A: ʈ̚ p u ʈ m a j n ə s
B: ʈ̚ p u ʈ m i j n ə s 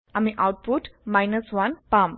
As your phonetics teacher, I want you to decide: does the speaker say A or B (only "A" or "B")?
A